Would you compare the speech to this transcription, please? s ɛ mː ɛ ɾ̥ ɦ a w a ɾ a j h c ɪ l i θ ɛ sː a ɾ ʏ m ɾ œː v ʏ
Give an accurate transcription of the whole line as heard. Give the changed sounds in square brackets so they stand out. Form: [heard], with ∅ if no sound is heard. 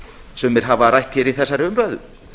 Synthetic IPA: s ɛ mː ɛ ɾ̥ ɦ a [v] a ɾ a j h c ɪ [ɾ] i θ ɛ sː a ɾ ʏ m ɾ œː [ð] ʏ